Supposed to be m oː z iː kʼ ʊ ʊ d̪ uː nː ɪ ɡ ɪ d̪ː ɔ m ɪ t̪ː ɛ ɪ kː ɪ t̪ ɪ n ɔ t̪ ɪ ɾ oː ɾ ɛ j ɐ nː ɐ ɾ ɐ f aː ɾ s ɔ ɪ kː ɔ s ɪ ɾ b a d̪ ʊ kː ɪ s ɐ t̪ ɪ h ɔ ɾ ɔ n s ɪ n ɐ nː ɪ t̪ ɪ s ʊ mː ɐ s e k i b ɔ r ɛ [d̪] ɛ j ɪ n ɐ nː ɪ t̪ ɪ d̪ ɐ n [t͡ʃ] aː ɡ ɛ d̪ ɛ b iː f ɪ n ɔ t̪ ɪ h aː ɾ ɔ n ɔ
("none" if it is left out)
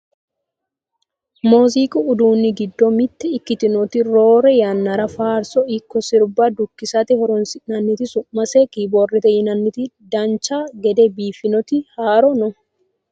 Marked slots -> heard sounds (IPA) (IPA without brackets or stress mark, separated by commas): t̪, t͡ʃ